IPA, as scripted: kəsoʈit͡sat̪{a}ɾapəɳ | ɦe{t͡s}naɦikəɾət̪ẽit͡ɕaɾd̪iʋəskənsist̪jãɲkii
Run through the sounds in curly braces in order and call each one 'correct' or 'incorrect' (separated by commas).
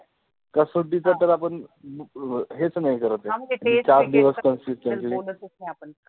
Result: incorrect, correct